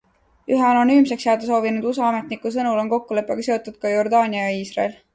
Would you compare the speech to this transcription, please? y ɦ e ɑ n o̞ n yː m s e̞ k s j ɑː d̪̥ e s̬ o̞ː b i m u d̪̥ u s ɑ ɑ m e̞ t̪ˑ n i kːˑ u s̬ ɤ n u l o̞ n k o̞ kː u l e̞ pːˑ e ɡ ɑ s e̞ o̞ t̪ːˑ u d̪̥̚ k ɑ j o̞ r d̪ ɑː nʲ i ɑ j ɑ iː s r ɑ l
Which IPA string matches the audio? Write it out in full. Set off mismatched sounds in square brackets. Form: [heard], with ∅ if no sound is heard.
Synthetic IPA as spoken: y ɦ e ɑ n o̞ n yː m s e̞ k s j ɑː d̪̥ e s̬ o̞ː [v] i [n] u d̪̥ u s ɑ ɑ m e̞ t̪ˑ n i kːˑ u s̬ ɤ n u l o̞ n k o̞ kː u l e̞ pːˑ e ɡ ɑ s e̞ o̞ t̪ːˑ u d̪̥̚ k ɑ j o̞ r d̪ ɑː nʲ i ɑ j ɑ iː s r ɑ l